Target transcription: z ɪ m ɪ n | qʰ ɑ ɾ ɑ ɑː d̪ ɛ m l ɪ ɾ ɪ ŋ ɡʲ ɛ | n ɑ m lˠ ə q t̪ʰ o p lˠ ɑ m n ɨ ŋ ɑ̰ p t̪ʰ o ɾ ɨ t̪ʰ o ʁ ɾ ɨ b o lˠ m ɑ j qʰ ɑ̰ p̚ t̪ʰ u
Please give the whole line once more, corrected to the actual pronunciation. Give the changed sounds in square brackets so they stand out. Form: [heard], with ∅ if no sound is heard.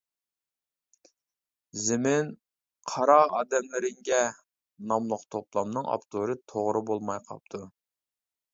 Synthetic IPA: z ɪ m ɪ n | qʰ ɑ ɾ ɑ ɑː d̪ ɛ m l ɪ ɾ ɪ ŋ ɡʲ ɛ | n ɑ m lˠ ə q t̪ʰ o p lˠ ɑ m n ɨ ŋ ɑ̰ p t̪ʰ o ɾ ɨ t̪ʰ o ʁ ɾ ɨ b o lˠ m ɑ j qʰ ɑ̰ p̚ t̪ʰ u